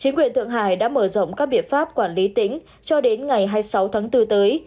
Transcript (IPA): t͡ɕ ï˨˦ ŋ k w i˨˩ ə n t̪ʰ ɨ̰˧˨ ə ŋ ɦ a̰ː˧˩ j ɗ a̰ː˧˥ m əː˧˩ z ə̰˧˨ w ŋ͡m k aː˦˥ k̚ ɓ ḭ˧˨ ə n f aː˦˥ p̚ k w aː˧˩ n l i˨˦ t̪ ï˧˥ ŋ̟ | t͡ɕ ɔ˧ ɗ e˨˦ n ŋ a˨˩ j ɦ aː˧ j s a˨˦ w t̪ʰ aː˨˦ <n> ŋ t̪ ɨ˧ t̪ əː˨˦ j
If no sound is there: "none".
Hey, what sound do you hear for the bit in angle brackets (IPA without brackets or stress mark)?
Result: none